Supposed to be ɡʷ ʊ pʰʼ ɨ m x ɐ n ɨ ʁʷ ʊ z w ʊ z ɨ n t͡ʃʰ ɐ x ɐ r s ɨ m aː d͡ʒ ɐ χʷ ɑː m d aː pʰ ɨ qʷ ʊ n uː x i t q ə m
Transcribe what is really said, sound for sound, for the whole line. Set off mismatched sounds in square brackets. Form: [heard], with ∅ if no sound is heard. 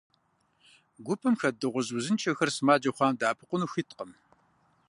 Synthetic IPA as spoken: ɡʷ ʊ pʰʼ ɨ m x ɐ [d] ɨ ʁʷ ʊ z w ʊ z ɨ n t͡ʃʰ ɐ x ɐ r s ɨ m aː d͡ʒ ɐ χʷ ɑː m d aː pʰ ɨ qʷ ʊ n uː x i t q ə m